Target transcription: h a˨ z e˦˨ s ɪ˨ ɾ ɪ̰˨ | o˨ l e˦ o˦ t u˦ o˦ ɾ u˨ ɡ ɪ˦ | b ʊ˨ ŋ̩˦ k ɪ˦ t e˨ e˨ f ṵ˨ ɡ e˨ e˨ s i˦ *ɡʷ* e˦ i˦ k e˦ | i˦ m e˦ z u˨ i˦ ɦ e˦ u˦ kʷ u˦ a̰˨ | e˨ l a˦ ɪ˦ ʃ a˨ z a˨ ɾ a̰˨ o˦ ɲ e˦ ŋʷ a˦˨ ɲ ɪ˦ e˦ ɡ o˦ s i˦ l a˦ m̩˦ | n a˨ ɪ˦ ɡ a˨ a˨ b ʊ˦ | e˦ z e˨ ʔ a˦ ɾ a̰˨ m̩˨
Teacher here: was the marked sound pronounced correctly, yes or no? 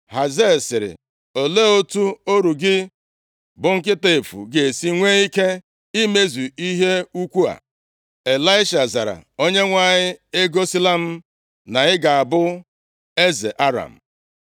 no